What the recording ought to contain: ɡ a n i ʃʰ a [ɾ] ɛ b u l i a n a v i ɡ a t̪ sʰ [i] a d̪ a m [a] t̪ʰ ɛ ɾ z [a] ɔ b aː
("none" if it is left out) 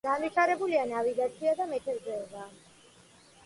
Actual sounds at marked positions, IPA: ɾ, i, ɛ, ɛ

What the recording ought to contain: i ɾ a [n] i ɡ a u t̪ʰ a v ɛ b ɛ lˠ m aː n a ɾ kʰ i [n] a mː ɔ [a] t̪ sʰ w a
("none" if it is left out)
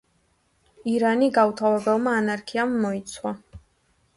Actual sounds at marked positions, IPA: n, none, i

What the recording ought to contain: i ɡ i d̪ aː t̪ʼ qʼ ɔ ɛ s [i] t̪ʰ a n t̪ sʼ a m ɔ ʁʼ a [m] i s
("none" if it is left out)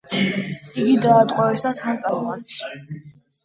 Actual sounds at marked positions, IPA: a, n

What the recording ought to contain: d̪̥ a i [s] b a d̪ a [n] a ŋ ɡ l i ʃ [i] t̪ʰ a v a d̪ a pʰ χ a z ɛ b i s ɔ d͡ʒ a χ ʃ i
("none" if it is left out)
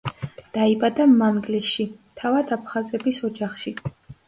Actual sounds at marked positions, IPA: none, m, i

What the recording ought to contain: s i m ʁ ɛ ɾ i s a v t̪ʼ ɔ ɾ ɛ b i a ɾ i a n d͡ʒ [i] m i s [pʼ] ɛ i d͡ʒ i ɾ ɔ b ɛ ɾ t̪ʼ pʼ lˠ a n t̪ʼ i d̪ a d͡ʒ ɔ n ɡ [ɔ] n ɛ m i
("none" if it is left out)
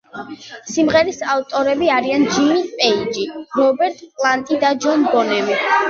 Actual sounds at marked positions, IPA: i, pʼ, ɔ

